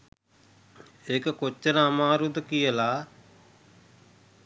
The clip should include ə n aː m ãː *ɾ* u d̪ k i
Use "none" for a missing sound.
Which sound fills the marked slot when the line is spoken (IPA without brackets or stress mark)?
ɾ